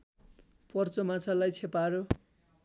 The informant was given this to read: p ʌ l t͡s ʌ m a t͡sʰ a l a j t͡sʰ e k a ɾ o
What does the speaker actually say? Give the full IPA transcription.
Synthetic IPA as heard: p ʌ r t͡s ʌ m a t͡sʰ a l a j t͡sʰ e p a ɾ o